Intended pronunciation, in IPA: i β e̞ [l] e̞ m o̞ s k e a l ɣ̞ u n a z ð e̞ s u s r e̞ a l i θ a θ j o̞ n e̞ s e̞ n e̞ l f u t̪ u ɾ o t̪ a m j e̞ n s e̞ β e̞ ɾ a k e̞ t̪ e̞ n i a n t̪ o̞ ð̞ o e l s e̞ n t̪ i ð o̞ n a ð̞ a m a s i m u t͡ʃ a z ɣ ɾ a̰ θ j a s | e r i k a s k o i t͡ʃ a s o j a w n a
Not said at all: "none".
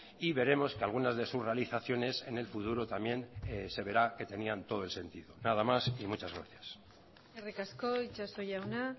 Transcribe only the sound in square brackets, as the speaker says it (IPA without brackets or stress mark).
ɾ